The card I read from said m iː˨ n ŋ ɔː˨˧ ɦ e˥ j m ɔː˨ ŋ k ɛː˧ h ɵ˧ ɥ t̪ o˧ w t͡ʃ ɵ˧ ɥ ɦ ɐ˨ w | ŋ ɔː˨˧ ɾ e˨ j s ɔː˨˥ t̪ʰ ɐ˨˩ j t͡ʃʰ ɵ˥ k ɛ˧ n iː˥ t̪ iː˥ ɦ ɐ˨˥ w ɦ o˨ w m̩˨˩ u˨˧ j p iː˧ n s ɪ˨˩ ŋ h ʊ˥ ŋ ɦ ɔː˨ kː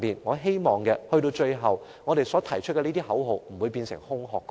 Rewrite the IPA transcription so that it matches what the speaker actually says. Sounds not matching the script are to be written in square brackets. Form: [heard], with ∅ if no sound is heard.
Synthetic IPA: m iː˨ n ŋ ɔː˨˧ ɦ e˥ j m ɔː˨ ŋ k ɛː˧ h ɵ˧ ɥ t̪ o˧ w t͡ʃ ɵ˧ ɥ ɦ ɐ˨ w | ŋ ɔː˨˧ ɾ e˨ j s ɔː˨˥ t̪ʰ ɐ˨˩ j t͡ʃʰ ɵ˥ k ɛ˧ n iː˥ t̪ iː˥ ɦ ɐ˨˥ w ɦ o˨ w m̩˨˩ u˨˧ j p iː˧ n s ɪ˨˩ ŋ h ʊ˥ ŋ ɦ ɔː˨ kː